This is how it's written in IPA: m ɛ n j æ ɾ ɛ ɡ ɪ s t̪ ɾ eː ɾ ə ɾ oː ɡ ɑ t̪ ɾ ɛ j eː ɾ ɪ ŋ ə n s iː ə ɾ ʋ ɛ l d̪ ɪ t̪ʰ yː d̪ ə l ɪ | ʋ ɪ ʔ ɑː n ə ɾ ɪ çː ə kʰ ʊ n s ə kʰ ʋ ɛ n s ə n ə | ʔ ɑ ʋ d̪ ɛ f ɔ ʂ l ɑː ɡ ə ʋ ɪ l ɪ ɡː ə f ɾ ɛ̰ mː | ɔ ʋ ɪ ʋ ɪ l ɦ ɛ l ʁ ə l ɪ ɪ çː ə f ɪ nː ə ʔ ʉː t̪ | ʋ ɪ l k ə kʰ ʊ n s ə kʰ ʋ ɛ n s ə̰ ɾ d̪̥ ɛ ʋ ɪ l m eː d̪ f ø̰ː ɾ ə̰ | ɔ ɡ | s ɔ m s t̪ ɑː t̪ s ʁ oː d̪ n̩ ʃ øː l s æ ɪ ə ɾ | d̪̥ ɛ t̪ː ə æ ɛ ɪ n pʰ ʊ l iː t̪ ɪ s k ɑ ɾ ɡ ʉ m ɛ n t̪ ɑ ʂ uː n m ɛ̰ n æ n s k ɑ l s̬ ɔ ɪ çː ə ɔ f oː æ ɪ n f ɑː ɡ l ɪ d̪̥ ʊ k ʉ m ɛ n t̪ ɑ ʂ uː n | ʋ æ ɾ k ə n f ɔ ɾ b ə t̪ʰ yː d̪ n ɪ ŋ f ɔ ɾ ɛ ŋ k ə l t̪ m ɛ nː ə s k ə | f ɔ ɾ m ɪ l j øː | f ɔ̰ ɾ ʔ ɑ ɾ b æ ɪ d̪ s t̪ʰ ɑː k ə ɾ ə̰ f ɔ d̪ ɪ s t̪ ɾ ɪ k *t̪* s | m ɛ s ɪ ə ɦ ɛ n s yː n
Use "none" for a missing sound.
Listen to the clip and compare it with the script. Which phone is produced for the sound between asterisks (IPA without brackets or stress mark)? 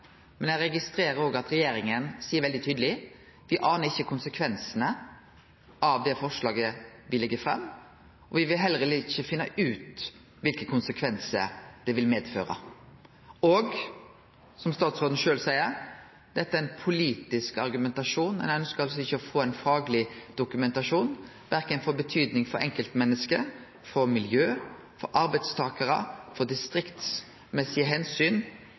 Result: t̪